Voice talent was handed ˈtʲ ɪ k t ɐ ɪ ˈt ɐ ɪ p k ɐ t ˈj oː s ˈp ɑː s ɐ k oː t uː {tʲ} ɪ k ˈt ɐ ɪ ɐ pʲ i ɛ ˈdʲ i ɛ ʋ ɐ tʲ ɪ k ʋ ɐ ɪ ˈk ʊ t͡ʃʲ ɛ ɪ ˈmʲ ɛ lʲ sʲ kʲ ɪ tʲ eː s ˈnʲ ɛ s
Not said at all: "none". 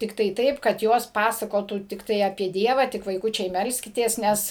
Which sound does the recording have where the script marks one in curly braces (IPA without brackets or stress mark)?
tʲ